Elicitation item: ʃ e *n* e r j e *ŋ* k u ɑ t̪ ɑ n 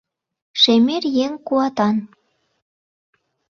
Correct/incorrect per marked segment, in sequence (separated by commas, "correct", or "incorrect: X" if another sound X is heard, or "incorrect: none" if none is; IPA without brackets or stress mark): incorrect: m, correct